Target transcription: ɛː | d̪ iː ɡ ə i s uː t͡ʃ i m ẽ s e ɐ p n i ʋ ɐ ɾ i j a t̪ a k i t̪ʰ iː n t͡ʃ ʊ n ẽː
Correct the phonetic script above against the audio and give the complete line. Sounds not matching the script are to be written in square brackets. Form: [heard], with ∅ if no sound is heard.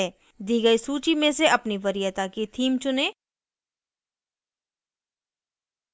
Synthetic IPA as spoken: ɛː | d̪ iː ɡ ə i s uː t͡ʃ i m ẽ s e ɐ p n i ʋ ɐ ɾ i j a t̪ a k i t̪ʰ iː [m] t͡ʃ ʊ n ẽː

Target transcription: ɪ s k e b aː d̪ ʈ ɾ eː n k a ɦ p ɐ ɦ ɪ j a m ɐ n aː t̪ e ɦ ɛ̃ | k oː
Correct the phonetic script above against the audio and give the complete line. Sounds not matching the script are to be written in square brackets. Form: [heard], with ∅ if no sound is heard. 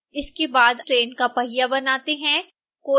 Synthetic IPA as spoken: ɪ s k e b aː d̪ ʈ ɾ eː n k a [∅] p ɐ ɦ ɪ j a [b] ɐ n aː t̪ e ɦ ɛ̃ | k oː

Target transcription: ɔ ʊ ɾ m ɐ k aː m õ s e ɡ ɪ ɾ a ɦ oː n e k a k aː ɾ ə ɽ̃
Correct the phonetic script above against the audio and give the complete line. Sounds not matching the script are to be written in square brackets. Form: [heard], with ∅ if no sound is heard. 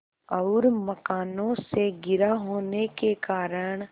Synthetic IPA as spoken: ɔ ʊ ɾ m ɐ k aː [n] õ s e ɡ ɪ ɾ a ɦ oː n e k [e] k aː ɾ ə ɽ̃

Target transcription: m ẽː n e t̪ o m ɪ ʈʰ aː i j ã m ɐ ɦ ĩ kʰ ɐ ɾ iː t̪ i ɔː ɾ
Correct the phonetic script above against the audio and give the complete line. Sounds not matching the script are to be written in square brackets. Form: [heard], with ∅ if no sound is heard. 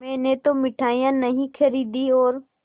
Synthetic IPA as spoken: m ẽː n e t̪ o m ɪ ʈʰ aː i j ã [n] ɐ ɦ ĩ kʰ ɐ ɾ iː [d̪] i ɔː ɾ

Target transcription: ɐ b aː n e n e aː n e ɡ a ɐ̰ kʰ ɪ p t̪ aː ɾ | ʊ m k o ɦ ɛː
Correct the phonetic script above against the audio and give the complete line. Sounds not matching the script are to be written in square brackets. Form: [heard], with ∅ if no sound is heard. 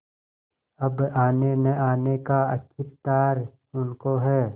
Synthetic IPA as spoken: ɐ b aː n e n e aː n e [k] a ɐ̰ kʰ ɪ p t̪ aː ɾ | ʊ [n] k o ɦ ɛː

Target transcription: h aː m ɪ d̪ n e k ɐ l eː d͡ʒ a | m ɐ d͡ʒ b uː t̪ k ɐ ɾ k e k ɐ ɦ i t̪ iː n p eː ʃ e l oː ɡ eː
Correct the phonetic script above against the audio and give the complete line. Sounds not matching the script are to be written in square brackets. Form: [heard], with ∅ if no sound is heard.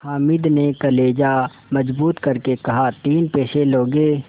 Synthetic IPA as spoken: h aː m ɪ d̪ n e k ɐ l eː d͡ʒ a | m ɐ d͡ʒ b uː t̪ k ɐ ɾ k e k ɐ ɦ [a] t̪ iː n p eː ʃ e l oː ɡ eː

